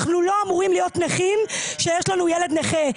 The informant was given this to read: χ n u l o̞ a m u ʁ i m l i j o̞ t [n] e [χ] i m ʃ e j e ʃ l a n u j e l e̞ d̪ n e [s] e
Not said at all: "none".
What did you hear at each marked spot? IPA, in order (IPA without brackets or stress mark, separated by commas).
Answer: n, χ, χ